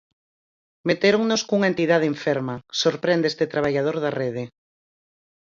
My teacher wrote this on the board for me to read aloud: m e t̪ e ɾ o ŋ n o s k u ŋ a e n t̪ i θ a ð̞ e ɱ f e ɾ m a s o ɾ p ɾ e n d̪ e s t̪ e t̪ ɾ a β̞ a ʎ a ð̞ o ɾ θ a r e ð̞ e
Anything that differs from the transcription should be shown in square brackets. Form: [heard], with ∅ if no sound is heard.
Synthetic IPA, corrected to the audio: m e t̪ e ɾ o ŋ n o s k u ŋ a e n t̪ i [ð] a ð̞ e ɱ f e ɾ m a s o ɾ p ɾ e n d̪ e s t̪ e t̪ ɾ a β̞ a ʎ a ð̞ o ɾ [ð] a r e ð̞ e